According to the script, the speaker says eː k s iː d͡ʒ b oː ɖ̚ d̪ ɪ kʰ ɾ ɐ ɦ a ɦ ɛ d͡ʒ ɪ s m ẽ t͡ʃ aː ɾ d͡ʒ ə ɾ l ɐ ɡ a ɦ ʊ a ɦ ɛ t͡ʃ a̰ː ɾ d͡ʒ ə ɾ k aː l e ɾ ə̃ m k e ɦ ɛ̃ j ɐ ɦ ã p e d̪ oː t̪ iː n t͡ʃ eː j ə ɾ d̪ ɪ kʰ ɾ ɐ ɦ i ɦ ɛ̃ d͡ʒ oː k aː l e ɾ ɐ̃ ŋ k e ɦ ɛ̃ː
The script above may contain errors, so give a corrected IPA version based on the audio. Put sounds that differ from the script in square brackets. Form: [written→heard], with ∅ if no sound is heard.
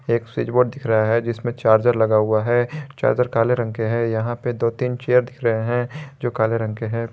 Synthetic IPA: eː k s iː d͡ʒ b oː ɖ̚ d̪ ɪ kʰ ɾ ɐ ɦ a ɦ ɛ d͡ʒ ɪ s m ẽ t͡ʃ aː ɾ d͡ʒ ə ɾ l ɐ ɡ a ɦ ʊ a ɦ ɛ t͡ʃ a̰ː ɾ d͡ʒ ə ɾ k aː l e ɾ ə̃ [m→ŋ] k e ɦ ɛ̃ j ɐ ɦ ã p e d̪ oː t̪ iː n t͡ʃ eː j ə ɾ d̪ ɪ kʰ ɾ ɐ ɦ [i→e] ɦ ɛ̃ d͡ʒ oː k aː l e ɾ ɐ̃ ŋ k e ɦ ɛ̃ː